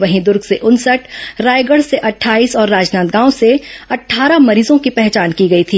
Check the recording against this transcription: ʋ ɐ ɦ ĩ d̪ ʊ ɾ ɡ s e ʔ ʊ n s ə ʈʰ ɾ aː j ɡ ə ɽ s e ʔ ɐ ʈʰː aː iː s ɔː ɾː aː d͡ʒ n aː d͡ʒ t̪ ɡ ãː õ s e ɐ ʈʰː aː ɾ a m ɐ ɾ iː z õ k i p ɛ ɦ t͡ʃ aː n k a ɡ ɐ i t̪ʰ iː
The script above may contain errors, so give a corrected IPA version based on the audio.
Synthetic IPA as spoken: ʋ ɐ ɦ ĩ d̪ ʊ ɾ ɡ s e ʔ ʊ n s ə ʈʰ ɾ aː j ɡ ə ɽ s e ʔ ɐ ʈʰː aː iː s ɔː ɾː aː d͡ʒ n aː t̪ ɡ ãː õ s e ɐ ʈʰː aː ɾ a m ɐ ɾ iː z õ k i p ɛ ɦ t͡ʃ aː n k i ɡ ɐ i t̪ʰ iː

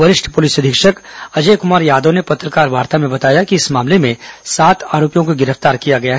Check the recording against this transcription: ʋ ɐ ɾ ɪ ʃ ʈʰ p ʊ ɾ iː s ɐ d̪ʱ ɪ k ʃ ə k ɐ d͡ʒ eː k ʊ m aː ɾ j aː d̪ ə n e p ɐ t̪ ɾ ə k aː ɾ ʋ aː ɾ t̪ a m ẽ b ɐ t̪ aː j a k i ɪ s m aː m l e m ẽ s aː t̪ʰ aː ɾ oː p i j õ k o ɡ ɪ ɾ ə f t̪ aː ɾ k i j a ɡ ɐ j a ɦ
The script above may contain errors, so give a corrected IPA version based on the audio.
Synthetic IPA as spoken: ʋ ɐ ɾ ɪ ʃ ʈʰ p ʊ l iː s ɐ d̪ʱ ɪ k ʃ ə k ɐ d͡ʒ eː k ʊ m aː ɾ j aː d̪ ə n e p ɐ t̪ ɾ ə k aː ɾ ʋ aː ɾ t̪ a m ẽ b ɐ t̪ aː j a k i ɪ s m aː m l e m ẽ s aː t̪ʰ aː ɾ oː p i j õ k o ɡ ɪ ɾ ə f t̪ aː ɾ k i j a ɡ ɐ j a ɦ

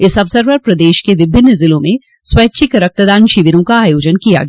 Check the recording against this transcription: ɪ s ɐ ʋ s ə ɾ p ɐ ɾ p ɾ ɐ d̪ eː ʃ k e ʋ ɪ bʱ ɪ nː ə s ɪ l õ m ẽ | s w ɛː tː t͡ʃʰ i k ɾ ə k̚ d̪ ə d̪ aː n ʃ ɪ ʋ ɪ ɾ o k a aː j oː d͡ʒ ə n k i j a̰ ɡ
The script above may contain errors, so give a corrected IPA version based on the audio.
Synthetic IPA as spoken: ɪ s ɐ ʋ s ə ɾ p ɐ ɾ p ɾ ɐ d̪ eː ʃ k e ʋ ɪ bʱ ɪ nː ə z ɪ l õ m ẽ | s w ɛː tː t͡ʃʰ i k ɾ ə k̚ t̪ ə d̪ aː n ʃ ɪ ʋ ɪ ɾ õ k a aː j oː d͡ʒ ə n k i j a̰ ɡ

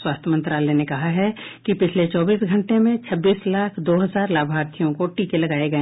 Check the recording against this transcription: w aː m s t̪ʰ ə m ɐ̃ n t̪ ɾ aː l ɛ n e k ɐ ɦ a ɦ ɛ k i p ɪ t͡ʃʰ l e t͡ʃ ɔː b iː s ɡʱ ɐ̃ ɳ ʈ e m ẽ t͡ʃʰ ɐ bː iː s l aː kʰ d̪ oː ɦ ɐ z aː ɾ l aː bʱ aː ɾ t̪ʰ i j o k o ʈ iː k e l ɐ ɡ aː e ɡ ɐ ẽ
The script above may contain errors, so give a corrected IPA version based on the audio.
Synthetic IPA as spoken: w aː s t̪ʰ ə m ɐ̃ n t̪ ɾ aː l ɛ n e k ɐ ɦ a ɦ ɛ k i p ɪ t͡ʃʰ l e t͡ʃ ɔː b iː s ɡʱ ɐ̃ ɳ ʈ e m ẽ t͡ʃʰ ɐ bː iː s l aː kʰ d̪ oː ɦ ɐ z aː ɾ l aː bʱ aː ɾ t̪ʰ i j õ k o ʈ iː k e l ɐ ɡ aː e ɡ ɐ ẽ

